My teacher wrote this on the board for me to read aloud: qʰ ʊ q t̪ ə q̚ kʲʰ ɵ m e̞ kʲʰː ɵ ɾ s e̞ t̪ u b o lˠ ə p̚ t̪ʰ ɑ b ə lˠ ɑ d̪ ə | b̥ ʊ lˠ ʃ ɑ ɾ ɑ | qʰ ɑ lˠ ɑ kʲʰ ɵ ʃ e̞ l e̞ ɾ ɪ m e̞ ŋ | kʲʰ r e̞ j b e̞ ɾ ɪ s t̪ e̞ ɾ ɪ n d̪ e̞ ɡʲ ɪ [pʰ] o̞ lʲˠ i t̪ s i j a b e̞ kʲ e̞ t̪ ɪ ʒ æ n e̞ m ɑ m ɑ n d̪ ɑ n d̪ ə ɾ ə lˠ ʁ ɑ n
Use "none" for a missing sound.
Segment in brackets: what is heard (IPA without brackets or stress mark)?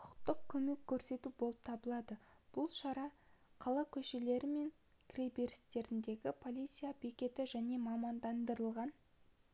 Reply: pʰ